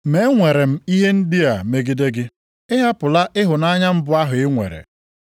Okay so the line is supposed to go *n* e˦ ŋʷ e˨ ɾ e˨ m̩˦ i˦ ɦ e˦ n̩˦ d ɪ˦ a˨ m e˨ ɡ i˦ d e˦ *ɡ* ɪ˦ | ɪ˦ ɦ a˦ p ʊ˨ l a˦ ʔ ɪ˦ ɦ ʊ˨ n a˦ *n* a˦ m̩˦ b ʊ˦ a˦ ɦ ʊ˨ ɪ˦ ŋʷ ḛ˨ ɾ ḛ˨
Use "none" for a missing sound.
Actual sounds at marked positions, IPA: m, ɡ, ɲ

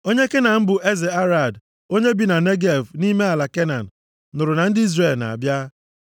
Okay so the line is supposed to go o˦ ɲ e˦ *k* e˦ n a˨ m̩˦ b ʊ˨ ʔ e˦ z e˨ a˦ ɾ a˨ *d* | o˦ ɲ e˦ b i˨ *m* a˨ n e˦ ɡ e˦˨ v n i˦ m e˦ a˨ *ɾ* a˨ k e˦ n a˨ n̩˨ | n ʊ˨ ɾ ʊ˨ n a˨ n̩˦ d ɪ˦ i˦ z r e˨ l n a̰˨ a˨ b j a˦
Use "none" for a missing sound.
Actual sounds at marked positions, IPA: k, d, n, l

